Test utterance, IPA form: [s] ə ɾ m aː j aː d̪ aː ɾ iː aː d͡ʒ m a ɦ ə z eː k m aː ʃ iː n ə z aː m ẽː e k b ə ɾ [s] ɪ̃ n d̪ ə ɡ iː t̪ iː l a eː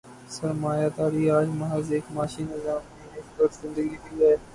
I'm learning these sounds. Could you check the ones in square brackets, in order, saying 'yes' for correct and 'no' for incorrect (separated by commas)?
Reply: yes, no